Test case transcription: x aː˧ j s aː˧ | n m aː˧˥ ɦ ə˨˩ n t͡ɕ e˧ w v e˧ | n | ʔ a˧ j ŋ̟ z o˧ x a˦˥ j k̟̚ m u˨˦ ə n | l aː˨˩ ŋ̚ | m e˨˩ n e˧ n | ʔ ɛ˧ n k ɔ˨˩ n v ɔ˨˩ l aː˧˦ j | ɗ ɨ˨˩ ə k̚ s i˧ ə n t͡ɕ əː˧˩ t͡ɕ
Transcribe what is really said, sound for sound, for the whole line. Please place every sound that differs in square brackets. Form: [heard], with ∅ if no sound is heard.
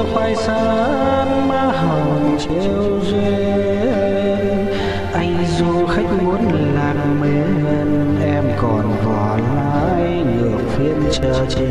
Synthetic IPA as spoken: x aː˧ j s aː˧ | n m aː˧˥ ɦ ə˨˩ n t͡ɕ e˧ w [z] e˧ | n | ʔ a˧ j ŋ̟ z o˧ x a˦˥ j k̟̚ m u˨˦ ə n | l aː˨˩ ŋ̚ | m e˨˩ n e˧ n | ʔ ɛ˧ [m] k ɔ˨˩ n v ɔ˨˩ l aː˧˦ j | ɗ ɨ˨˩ ə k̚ [f] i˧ ə n t͡ɕ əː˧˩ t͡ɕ